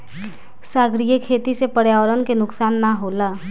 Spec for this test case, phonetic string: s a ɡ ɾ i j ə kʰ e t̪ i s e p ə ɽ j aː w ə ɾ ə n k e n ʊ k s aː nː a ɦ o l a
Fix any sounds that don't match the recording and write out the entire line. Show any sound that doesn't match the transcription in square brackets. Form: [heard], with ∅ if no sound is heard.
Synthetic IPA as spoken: s a ɡ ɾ i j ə kʰ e t̪ i s e p ə ɽ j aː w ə ɾ ə n k e n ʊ k s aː nː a ɦ o l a

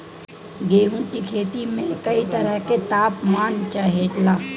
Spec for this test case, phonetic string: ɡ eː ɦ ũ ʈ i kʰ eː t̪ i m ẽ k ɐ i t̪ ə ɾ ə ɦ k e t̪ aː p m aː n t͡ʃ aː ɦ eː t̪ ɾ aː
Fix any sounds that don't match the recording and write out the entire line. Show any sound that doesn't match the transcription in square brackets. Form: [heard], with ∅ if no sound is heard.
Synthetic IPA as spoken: ɡ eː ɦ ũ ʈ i kʰ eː t̪ i m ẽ k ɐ i t̪ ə ɾ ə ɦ k e t̪ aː p m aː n t͡ʃ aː ɦ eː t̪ [l] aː

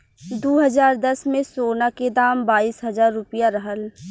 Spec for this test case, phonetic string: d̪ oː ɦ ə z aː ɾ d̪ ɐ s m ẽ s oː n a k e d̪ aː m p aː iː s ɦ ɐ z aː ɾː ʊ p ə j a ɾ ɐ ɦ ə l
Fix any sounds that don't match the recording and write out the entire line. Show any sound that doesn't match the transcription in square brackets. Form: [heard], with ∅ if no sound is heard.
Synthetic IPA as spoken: d̪ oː ɦ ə z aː ɾ d̪ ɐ s m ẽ s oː n a k e d̪ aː m [b] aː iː s ɦ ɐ z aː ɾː ʊ p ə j a ɾ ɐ ɦ ə l

